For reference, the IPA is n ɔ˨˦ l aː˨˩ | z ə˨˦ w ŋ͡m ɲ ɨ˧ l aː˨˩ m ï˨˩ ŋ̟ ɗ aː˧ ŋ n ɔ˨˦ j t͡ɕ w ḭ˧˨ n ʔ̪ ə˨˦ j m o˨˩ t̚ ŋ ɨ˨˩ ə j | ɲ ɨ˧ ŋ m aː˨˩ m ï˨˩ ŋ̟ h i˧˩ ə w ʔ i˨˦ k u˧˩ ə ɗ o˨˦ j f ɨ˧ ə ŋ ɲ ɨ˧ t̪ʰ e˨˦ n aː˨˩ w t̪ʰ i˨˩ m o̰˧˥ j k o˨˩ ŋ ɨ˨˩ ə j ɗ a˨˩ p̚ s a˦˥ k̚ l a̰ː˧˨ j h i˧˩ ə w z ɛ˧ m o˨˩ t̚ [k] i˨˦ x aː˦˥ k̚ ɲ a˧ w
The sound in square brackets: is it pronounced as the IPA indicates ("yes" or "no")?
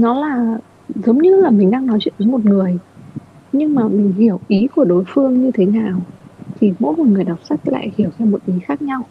no